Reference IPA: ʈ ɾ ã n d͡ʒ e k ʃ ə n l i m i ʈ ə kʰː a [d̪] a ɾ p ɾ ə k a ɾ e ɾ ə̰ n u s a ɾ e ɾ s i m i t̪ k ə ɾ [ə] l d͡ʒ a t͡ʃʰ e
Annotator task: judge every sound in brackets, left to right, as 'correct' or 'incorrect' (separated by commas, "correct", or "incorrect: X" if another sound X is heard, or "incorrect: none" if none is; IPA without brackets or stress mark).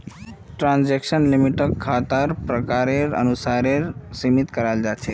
incorrect: t̪, incorrect: a